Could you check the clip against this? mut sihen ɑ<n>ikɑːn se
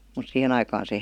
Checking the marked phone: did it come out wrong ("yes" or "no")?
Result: yes